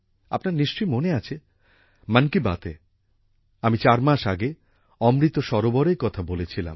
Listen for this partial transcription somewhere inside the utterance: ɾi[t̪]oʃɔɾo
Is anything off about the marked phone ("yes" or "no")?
no